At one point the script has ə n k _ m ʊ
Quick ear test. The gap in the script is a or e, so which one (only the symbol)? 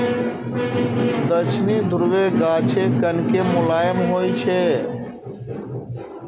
e